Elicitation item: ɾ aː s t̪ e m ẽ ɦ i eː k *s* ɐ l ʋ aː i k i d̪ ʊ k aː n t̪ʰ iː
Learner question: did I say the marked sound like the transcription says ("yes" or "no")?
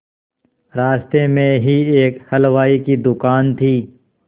no